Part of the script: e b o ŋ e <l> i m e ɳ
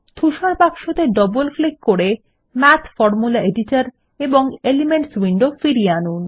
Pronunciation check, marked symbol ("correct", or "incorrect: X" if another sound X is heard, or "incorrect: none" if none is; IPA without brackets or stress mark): correct